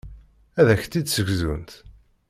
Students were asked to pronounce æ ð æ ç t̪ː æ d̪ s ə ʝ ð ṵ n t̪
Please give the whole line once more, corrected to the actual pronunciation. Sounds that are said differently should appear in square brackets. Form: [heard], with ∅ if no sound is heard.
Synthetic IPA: æ ð æ ç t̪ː [i] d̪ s ə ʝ [z] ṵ n t̪